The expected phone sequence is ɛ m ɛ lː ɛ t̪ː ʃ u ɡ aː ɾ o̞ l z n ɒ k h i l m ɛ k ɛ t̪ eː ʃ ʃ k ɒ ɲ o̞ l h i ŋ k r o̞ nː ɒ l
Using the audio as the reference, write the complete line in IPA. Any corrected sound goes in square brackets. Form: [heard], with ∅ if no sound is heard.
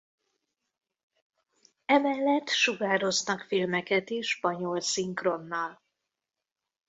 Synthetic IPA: ɛ m ɛ lː ɛ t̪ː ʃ u ɡ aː ɾ o̞ [∅] z n ɒ k [f] i l m ɛ k ɛ t̪ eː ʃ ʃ [p] ɒ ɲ o̞ l [s] i ŋ k r o̞ nː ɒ l